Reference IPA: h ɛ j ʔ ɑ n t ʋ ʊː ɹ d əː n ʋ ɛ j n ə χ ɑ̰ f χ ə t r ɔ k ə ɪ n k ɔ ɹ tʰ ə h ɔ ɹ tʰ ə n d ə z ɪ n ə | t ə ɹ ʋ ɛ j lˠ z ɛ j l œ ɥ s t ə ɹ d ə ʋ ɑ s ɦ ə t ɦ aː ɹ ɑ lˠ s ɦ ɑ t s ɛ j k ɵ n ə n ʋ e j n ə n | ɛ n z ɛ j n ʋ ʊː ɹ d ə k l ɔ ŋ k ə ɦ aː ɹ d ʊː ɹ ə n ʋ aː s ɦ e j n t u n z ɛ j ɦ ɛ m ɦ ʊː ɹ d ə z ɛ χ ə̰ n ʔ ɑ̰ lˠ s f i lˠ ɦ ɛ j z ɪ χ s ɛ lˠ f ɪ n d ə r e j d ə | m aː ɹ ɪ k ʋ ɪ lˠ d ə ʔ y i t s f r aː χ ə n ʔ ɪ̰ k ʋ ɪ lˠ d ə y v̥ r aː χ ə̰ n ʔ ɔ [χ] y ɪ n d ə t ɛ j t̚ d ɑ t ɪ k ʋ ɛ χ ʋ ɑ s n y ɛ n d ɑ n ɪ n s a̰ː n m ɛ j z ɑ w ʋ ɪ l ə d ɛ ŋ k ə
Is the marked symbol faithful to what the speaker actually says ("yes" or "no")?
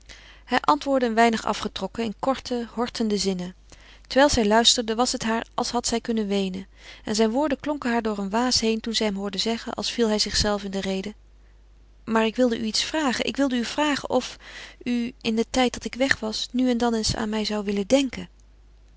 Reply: no